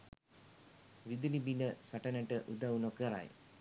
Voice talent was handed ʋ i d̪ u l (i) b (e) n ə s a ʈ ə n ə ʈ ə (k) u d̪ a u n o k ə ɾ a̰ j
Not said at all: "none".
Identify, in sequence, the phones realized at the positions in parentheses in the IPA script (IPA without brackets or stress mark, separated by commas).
i, i, ʔ